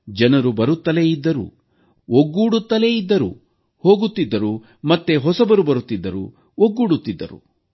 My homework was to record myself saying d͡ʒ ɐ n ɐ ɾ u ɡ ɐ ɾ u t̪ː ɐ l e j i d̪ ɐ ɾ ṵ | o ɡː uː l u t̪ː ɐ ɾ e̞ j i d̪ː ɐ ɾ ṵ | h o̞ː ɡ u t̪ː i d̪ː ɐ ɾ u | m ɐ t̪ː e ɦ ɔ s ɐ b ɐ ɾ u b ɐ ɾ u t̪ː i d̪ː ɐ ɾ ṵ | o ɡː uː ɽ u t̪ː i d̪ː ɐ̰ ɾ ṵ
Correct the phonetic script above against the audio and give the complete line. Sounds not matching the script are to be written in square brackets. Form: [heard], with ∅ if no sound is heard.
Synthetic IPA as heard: d͡ʒ ɐ n ɐ ɾ u [b] ɐ ɾ u t̪ː ɐ l e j i [d̪ː] ɐ ɾ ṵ | o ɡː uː [ɽ] u t̪ː ɐ [l] e̞ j i d̪ː ɐ ɾ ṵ | h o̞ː ɡ u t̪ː i d̪ː ɐ ɾ u | m ɐ t̪ː e ɦ ɔ s ɐ b ɐ ɾ u b ɐ ɾ u t̪ː i d̪ː ɐ ɾ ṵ | o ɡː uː ɽ u t̪ː i d̪ː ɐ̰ ɾ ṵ